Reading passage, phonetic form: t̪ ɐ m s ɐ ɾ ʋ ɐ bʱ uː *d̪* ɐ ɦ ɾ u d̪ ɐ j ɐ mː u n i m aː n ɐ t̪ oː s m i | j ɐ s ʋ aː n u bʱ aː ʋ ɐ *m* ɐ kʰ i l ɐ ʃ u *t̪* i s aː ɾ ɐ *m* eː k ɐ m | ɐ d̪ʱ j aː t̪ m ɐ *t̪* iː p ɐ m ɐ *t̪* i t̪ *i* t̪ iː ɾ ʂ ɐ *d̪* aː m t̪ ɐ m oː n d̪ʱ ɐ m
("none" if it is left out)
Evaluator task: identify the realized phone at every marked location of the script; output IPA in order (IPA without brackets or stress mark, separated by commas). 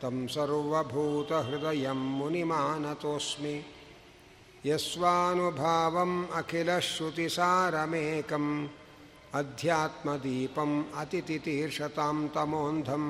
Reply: t̪, m, t̪, m, d̪, t̪, i, t̪